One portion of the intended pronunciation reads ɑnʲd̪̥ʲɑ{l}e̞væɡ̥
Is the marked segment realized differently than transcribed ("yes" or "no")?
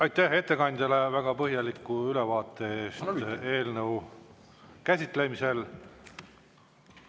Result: no